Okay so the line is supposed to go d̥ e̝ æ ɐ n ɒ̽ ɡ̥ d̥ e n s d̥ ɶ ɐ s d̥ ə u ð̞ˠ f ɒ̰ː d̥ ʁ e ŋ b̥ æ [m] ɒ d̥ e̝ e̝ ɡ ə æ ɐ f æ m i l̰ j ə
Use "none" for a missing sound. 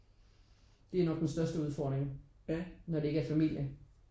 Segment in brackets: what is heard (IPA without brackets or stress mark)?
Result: n